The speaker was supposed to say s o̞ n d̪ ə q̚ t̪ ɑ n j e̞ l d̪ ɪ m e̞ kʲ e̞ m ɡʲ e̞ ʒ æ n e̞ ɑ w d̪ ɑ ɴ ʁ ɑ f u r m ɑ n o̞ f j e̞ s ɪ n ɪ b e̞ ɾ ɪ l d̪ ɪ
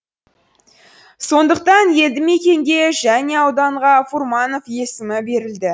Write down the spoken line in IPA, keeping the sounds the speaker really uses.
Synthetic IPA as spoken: s o̞ n d̪ ə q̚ t̪ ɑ n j e̞ l d̪ ɪ m e̞ kʲ e̞ ŋ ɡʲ e̞ ʒ æ n e̞ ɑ w d̪ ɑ ɴ ʁ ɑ f u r m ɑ n o̞ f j e̞ s ɪ m ɪ b e̞ ɾ ɪ l d̪ ɪ